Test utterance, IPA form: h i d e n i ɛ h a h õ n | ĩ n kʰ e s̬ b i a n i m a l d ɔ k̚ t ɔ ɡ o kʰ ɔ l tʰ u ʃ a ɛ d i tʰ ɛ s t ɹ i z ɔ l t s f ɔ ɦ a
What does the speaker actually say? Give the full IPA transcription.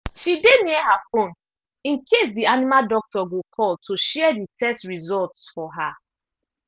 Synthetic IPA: ʃ i d e n i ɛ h a f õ n | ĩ n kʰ e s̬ d i a n i m a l d ɔ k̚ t ɔ ɡ o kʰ ɔ l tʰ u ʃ ɛ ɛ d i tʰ ɛ s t ɹ i z ɔ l t s f ɔ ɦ a